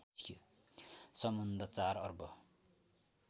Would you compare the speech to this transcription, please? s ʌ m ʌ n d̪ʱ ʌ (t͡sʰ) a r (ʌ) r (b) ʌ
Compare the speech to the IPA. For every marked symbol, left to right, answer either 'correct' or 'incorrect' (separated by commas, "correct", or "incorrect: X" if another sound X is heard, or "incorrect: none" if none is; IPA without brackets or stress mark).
incorrect: t͡s, correct, correct